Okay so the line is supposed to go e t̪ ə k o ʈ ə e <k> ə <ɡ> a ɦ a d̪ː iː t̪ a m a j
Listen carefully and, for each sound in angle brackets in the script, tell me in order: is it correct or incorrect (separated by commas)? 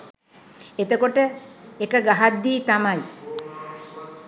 correct, correct